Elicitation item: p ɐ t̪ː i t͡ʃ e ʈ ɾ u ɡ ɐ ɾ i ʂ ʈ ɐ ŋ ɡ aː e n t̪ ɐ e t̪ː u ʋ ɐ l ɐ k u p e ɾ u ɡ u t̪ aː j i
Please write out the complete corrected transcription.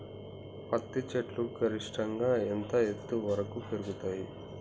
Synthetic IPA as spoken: p ɐ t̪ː i t͡ʃ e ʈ l u ɡ ɐ ɾ i ʂ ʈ ɐ ŋ ɡ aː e n t̪ ɐ e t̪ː u ʋ ɐ ɾ ɐ k u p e ɾ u ɡ u t̪ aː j i